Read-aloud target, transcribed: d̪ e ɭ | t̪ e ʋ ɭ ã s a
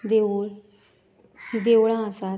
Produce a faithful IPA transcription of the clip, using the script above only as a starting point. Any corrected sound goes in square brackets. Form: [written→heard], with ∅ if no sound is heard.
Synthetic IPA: d̪ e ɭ | [t̪→d̪] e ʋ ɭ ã s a

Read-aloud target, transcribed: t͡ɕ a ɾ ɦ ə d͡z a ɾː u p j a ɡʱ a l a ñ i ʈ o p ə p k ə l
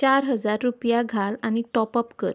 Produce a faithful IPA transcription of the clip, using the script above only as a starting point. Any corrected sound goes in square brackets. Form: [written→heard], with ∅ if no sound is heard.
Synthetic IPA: t͡ɕ a ɾ ɦ ə d͡z a ɾː u p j a ɡʱ a l a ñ i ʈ [o→ɔ] p ə p k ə [l→ɾ]

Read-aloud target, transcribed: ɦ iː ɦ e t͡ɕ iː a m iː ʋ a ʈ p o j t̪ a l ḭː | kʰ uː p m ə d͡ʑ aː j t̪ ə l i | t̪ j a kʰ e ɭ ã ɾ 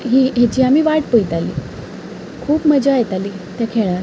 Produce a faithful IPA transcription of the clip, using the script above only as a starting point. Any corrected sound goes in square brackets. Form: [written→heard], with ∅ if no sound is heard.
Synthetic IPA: ɦ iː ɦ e t͡ɕ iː a m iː ʋ a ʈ p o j t̪ a l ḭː | kʰ uː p m ə d͡ʑ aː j t̪ [ə→a] l i | t̪ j a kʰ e ɭ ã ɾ

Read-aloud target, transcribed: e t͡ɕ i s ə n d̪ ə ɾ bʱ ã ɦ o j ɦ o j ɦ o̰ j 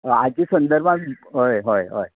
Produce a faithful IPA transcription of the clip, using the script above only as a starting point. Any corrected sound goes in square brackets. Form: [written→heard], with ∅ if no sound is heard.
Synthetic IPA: [e→a] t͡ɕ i s ə n d̪ ə ɾ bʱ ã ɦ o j ɦ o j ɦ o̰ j

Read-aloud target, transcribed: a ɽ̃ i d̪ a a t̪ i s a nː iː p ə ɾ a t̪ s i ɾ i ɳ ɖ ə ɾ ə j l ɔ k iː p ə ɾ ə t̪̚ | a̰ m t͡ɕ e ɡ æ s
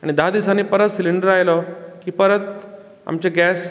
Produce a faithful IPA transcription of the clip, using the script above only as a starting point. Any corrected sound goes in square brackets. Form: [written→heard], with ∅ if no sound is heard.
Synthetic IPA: a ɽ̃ i d̪ a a [t̪→d̪] i s a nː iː p ə ɾ [a→ə] t̪ s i [ɾ→l] i ɳ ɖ ə ɾ [ə→a] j l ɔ k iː p ə ɾ ə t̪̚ | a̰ m t͡ɕ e ɡ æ s

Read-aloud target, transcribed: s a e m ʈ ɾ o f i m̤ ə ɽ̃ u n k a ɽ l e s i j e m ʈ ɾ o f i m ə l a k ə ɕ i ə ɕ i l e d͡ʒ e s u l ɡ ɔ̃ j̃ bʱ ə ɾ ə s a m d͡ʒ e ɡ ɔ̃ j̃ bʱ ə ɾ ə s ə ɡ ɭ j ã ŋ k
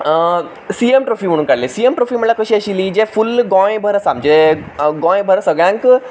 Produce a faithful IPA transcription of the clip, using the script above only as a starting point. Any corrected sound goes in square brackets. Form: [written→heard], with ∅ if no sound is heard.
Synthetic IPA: s [a→i] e m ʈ ɾ o f i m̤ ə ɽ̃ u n k a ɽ l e s i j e m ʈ ɾ o f i m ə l a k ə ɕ i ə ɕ i l [e→i] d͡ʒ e [s→f] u l ɡ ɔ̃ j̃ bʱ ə ɾ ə s a m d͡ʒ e ɡ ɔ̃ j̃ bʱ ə ɾ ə s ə ɡ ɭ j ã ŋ k

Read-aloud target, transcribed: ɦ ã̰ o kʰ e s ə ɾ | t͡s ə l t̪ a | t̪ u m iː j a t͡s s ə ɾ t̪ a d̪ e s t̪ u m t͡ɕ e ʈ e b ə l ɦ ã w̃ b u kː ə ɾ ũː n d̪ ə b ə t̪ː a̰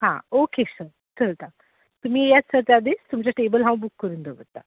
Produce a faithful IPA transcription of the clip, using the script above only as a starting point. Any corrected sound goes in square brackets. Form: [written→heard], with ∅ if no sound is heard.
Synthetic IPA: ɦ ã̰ o [kʰ→k] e s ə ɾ | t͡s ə l t̪ a | t̪ u m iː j a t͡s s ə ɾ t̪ a d̪ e s t̪ u m t͡ɕ [e→a] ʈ e b ə l ɦ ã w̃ b u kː ə ɾ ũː n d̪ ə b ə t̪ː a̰

